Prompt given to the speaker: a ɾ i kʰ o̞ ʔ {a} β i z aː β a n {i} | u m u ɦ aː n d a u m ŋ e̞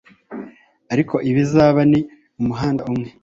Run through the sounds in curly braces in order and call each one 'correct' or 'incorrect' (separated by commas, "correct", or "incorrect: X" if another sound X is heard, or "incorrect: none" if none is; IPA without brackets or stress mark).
incorrect: i, correct